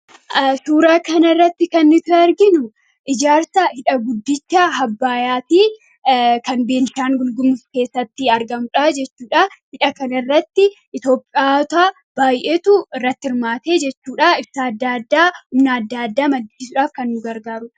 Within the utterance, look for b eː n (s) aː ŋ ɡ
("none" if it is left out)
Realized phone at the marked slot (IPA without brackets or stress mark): ʃ